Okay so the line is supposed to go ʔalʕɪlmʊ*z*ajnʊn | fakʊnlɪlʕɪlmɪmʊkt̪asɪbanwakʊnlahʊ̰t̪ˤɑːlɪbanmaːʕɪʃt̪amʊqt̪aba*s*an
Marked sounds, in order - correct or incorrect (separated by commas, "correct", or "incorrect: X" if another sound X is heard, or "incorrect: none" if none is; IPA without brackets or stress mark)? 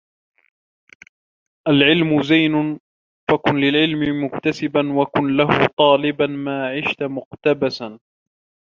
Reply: correct, correct